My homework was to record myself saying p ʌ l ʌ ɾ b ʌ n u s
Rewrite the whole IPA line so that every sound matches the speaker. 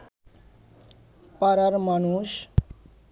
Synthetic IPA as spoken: p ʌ ɾ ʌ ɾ m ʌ n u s

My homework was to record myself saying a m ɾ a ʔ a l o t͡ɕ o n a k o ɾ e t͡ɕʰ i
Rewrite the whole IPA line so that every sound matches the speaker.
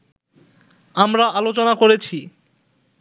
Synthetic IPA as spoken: a m ɾ a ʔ a l o t͡ɕ o n a k o ɾ e t͡ɕʰ i

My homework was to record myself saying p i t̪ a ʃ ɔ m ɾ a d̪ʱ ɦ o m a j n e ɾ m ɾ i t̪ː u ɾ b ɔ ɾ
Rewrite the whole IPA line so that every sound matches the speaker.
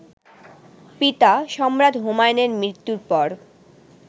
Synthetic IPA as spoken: p i t̪ a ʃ ɔ m ɾ a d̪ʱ ɦ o m a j n e ɾ m ɾ i t̪ː u ɾ p ɔ ɾ

